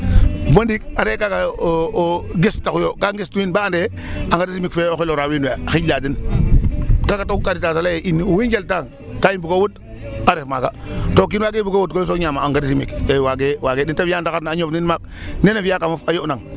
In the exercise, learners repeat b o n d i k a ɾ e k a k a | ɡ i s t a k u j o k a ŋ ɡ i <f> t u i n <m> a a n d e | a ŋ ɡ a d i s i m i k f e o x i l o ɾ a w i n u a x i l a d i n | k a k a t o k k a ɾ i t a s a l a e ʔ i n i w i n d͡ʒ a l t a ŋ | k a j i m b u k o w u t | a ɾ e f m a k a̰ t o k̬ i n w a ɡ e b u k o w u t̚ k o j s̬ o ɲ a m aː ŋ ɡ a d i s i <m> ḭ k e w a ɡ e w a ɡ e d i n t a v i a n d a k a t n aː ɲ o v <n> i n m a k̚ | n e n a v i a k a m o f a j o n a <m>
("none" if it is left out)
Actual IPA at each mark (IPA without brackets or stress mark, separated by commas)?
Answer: s, b, m, n, ŋ